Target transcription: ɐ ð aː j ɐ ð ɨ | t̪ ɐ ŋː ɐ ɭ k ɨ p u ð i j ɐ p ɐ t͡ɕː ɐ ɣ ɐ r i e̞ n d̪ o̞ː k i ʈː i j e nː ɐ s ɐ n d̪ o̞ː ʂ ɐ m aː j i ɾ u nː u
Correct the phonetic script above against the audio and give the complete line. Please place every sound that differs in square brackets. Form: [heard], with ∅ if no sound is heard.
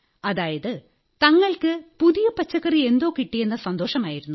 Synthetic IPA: ɐ ð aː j ɐ ð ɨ | t̪ ɐ ŋː ɐ ɭ k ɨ p u ð i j ɐ p ɐ t͡ɕː ɐ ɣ ɐ r i e̞ n d̪ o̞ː k i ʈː i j e nː ɐ s ɐ n d̪ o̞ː ʂ ɐ m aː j i ɾ u nː u